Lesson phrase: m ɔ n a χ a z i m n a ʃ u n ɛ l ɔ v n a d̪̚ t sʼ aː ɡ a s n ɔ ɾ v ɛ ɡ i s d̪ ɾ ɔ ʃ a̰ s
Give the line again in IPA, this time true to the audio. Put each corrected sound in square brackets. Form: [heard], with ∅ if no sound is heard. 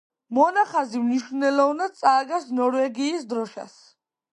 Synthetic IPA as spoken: m ɔ n a χ a z i m n [i] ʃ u n ɛ l ɔ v n a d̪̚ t sʼ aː ɡ a s n ɔ ɾ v ɛ ɡ [iː] s d̪ ɾ ɔ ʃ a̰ s